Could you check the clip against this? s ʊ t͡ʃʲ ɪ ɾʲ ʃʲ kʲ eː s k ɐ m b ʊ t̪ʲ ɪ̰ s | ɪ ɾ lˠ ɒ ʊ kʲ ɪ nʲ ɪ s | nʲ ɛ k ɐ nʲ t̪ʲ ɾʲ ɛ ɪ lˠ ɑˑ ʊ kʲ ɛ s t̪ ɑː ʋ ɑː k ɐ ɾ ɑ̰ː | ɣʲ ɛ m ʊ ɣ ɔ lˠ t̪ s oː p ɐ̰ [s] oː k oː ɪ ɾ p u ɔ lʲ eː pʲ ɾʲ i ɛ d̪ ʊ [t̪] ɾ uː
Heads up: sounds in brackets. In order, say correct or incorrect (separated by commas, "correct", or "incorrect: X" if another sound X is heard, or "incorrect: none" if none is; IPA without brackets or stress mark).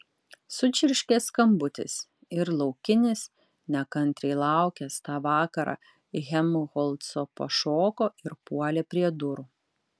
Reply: incorrect: ʃ, incorrect: none